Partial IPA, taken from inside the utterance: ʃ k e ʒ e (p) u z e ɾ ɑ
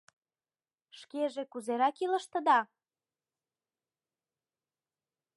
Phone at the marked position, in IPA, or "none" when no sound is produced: k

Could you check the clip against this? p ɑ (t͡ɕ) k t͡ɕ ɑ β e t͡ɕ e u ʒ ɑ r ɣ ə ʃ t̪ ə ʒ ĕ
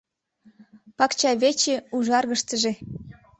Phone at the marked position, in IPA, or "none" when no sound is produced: none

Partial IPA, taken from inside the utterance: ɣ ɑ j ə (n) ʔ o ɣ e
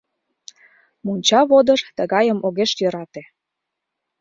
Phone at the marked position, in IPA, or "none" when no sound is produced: m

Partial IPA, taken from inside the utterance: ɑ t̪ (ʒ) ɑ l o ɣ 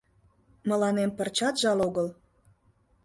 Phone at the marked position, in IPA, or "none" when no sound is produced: ʒ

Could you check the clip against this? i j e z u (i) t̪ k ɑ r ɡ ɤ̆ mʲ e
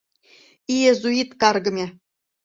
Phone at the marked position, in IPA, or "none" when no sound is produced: i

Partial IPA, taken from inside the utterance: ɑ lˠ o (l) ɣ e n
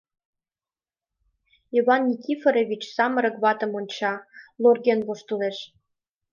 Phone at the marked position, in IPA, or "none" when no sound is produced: r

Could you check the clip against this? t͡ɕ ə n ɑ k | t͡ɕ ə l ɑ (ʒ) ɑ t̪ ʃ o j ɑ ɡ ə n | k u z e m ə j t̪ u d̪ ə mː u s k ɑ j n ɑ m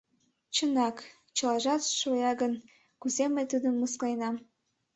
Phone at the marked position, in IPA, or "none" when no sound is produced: ʒ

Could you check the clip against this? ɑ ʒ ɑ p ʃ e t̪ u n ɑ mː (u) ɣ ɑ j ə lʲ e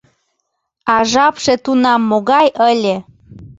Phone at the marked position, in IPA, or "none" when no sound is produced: o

